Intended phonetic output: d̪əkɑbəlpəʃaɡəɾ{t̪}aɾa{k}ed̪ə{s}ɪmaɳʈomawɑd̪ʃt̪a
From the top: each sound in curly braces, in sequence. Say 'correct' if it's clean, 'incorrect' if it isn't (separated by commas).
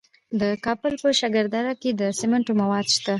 incorrect, correct, correct